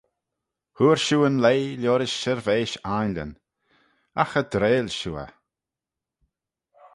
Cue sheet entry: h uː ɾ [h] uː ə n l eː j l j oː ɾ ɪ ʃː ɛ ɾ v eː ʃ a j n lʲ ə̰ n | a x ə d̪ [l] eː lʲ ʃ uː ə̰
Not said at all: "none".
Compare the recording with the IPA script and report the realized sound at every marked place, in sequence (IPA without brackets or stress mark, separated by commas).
ʃ, ɾ